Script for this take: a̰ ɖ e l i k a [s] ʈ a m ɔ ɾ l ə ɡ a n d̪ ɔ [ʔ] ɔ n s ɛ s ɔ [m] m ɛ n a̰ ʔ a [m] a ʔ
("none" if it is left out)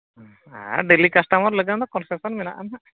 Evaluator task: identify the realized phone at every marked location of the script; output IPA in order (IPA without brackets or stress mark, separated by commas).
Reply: s, k, n, n